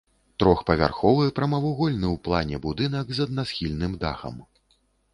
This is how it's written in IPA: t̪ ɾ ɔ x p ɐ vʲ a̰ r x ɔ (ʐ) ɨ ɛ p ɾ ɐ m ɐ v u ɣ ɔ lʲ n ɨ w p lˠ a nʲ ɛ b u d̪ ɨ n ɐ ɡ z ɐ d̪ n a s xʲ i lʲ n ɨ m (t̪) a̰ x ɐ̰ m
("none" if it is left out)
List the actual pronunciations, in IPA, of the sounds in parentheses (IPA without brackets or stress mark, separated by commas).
v, d̪